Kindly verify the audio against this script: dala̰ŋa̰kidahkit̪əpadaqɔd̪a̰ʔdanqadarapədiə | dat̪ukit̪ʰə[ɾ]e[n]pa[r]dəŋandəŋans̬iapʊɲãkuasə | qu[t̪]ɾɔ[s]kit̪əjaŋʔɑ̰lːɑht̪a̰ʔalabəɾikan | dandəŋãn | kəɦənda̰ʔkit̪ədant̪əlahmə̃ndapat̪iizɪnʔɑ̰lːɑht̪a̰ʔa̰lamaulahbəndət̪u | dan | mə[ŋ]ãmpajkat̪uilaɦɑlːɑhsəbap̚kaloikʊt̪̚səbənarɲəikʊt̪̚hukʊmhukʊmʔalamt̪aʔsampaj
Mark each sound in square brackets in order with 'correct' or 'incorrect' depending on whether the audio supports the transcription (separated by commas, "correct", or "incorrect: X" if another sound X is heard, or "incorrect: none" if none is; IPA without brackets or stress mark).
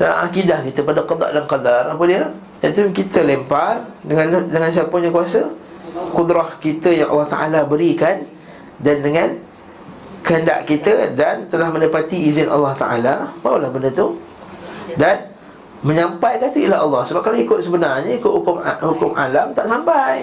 incorrect: l, incorrect: m, correct, incorrect: d̪, incorrect: h, incorrect: ɲ